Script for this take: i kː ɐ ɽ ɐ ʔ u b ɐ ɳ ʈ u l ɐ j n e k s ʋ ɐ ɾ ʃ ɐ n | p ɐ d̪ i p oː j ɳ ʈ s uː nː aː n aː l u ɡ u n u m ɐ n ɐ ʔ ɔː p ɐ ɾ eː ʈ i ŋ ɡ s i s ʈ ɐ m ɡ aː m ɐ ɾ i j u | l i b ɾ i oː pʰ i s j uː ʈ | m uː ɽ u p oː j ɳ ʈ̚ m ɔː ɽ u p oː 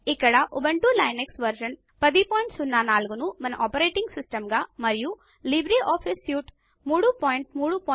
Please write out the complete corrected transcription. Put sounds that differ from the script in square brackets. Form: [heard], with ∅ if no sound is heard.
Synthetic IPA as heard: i kː ɐ ɽ ɐ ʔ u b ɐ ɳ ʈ u l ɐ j n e k s ʋ ɐ ɾ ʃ ɐ n | p ɐ d̪ i p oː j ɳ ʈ s [u] nː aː n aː l u ɡ u n u m ɐ n ɐ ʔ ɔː p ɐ ɾ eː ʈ i ŋ ɡ s i s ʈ ɐ m ɡ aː m ɐ ɾ i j u | l i b ɾ i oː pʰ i s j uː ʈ | m uː ɽ u p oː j ɳ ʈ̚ m [uː] ɽ u p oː